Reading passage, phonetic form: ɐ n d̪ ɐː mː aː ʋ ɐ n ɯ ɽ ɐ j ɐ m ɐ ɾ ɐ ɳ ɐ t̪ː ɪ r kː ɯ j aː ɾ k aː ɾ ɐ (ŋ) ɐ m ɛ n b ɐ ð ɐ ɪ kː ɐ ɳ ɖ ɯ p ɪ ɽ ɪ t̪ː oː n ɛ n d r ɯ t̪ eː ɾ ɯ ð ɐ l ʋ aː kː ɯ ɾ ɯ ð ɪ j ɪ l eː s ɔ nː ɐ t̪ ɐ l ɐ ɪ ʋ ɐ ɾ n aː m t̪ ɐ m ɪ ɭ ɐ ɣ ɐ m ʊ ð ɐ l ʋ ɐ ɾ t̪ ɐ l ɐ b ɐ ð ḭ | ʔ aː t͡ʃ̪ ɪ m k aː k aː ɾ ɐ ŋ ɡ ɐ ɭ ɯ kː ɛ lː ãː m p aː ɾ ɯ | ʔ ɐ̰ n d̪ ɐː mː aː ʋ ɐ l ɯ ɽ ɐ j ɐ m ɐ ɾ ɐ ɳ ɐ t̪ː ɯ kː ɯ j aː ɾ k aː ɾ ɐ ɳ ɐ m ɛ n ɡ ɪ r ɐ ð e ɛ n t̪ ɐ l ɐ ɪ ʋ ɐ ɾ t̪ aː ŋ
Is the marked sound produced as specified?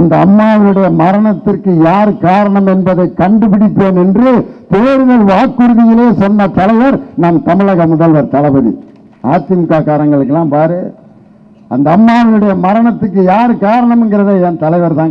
no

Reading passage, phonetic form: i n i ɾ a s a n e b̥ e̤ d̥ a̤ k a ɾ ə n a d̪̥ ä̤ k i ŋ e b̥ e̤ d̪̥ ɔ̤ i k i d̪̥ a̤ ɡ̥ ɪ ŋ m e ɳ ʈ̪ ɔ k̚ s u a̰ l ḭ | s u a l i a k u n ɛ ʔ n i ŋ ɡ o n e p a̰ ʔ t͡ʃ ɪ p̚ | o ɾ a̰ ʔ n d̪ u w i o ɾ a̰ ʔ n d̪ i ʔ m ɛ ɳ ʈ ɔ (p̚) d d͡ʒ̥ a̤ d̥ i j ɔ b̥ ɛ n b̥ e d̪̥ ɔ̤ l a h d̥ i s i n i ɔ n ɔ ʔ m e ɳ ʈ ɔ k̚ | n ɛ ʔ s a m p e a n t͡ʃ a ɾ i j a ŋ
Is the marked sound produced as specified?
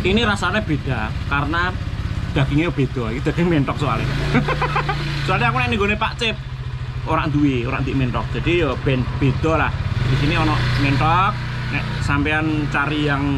no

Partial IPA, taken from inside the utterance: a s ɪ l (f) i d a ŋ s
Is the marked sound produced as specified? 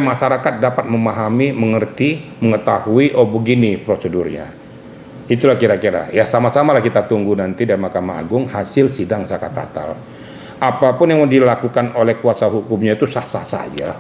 no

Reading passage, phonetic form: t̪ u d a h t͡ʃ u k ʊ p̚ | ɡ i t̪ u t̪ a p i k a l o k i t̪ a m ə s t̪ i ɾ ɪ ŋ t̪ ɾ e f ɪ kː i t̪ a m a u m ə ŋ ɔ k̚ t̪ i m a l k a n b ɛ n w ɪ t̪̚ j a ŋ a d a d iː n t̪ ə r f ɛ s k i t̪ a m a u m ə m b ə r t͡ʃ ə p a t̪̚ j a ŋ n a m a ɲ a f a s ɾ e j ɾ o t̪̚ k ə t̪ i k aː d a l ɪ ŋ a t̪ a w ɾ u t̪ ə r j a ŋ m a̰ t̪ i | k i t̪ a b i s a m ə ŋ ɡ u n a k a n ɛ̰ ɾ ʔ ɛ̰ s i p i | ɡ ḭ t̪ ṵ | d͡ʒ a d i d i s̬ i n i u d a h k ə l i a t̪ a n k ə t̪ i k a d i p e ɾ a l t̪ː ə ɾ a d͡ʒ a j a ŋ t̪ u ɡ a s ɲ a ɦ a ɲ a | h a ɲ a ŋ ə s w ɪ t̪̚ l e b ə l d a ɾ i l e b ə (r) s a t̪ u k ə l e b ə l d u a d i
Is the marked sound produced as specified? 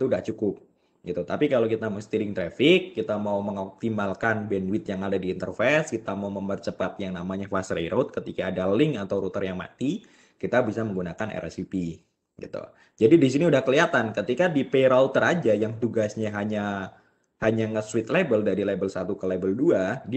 no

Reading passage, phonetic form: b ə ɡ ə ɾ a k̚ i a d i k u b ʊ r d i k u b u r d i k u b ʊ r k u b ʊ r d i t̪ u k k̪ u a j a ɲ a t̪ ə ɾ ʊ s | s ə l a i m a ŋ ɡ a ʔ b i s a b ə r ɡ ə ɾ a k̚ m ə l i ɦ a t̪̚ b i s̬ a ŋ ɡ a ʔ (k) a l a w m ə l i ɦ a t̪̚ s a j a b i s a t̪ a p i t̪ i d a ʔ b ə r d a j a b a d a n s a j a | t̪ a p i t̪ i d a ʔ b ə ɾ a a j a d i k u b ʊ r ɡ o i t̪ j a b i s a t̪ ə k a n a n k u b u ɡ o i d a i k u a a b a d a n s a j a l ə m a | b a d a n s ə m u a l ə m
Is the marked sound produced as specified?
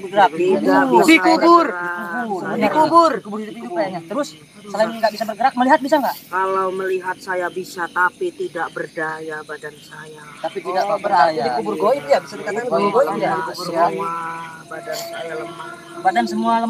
yes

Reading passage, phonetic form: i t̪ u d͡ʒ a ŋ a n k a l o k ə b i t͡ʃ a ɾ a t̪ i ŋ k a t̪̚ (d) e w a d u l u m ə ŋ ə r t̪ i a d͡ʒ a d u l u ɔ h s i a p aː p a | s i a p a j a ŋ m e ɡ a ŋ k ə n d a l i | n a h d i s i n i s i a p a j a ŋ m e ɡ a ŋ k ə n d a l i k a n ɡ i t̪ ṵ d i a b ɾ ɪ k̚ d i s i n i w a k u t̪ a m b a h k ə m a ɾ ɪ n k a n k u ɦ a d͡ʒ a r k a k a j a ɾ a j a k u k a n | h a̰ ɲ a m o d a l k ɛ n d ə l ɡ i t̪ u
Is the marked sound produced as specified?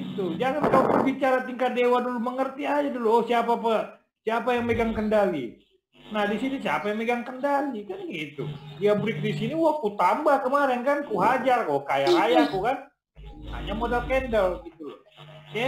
yes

